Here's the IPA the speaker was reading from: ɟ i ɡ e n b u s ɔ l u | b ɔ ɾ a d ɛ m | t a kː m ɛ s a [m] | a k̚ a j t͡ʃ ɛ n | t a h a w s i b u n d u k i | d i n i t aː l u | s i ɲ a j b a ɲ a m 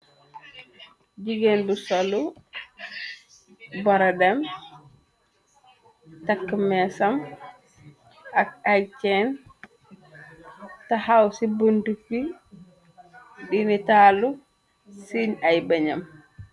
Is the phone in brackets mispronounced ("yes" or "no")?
no